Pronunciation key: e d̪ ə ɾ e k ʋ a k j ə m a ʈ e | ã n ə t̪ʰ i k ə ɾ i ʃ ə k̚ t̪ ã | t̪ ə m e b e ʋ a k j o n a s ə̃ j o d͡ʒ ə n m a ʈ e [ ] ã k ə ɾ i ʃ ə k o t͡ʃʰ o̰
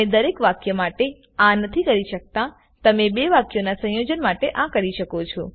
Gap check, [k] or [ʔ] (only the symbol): ʔ